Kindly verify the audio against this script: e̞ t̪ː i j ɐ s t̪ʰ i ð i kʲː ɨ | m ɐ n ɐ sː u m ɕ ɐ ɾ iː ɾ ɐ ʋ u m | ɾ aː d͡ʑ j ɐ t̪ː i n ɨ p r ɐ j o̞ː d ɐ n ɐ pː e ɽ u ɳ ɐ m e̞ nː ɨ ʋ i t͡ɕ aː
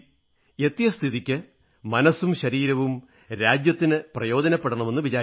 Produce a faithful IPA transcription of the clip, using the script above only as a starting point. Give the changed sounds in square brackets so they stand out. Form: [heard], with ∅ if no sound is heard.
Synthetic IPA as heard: e̞ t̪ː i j ɐ s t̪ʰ i ð i kʲː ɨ | m ɐ n ɐ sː u m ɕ ɐ ɾ iː ɾ ɐ ʋ u m | ɾ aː d͡ʑ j ɐ t̪ː i n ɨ p r ɐ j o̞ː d ɐ n ɐ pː e ɽ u ɳ ɐ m e̞ nː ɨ ʋ i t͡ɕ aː

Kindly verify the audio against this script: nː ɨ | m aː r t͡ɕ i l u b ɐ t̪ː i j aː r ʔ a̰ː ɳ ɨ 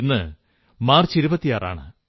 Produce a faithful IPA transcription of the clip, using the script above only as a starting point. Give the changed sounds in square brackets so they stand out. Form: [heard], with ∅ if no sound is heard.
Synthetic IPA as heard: nː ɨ | m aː r t͡ɕ i [ɾ] u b ɐ t̪ː i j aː r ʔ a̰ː ɳ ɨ

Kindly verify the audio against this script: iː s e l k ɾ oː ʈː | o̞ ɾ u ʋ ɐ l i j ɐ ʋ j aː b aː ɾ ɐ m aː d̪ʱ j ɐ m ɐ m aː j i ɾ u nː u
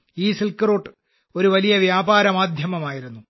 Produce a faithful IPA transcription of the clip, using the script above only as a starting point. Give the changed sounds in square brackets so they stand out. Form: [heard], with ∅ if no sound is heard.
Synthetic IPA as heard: iː s [i] l k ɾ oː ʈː | o̞ ɾ u ʋ ɐ l i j ɐ ʋ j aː b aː ɾ ɐ m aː d̪ʱ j ɐ m ɐ m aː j i ɾ u nː u

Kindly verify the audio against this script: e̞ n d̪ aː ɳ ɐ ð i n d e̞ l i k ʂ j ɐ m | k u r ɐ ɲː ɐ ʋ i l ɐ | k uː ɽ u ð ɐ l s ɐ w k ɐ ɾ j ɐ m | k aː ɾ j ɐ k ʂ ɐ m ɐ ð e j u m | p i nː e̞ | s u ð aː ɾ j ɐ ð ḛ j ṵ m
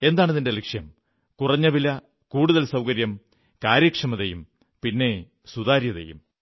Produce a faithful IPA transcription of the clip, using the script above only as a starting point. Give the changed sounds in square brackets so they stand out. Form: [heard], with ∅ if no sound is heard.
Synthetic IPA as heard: e̞ n d̪ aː ɳ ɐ ð i n d e̞ l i k ʂ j ɐ m | k u r ɐ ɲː ɐ ʋ i l ɐ | k uː ɽ u ð ɐ l s ɐ w k ɐ ɾ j ɐ m | k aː ɾ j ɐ k ʂ ɐ m ɐ ð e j u m | p i nː e̞ | s u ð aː ɾ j ɐ ð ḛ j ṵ m

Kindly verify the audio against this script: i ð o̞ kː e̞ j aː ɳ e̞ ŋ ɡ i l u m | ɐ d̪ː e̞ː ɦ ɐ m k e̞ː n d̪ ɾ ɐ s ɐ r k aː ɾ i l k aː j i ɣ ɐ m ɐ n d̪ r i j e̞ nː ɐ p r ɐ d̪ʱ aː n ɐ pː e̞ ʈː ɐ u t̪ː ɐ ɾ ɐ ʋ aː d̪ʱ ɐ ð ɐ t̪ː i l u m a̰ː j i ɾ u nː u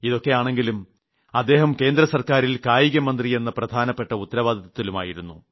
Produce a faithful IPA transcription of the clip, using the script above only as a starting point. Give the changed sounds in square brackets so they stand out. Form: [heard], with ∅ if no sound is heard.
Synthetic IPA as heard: i ð o̞ kː e̞ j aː ɳ e̞ ŋ ɡ i l u m | ɐ d̪ː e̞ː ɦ ɐ m k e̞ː n d̪ ɾ ɐ s ɐ r k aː ɾ i l k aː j i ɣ ɐ m ɐ n d̪ r i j e̞ nː ɐ p r ɐ d̪ʱ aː n ɐ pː e̞ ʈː ɐ u t̪ː ɐ ɾ ɐ ʋ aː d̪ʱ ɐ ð ɐ t̪ː i l u m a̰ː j i ɾ u nː u

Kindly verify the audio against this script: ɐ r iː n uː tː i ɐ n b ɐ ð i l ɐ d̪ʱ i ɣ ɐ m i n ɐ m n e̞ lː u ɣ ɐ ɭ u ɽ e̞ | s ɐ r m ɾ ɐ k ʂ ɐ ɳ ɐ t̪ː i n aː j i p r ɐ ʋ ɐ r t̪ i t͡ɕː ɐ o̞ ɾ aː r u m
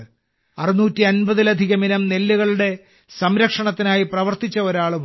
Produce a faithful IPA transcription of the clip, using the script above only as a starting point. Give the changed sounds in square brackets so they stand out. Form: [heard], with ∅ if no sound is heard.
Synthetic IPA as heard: ɐ r [i] n uː tː i ɐ n b ɐ ð i l ɐ d̪ʱ i ɣ ɐ m i n ɐ m n e̞ lː u ɣ ɐ ɭ u ɽ e̞ | s ɐ [∅] m ɾ ɐ k ʂ ɐ ɳ ɐ t̪ː i n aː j i p r ɐ ʋ ɐ r t̪ i t͡ɕː ɐ o̞ ɾ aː [ɭ] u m

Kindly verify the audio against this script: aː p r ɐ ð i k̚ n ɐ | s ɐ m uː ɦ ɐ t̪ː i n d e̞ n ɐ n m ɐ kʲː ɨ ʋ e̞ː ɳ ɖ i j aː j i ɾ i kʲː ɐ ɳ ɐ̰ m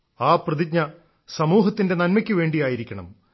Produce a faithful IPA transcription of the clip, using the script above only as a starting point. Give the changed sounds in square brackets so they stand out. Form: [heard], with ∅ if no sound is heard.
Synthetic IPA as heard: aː p r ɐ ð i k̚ [ɲ] ɐ | s ɐ m uː ɦ ɐ t̪ː i n d e̞ n ɐ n m ɐ kʲː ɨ ʋ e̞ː ɳ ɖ i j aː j i ɾ i kʲː ɐ ɳ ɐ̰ m

